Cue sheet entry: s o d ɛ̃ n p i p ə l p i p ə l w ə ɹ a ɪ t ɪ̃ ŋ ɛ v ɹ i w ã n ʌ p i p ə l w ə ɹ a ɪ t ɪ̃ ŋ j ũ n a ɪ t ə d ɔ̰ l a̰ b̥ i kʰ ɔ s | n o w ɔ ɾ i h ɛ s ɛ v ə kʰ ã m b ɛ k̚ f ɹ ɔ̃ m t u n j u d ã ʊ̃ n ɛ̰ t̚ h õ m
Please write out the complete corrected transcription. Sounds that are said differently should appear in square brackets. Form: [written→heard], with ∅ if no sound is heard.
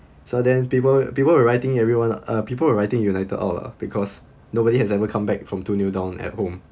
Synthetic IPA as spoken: s o d ɛ̃ n p i p ə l p i p ə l w ə ɹ a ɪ t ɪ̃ ŋ ɛ v ɹ i w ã n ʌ p i p ə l w ə ɹ a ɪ t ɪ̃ ŋ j [ũ→u] n a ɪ t ə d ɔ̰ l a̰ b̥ i kʰ ɔ s | n o [w→b] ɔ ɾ i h ɛ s ɛ v ə kʰ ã m b ɛ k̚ f ɹ ɔ̃ m t u n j u d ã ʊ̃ n ɛ̰ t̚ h õ m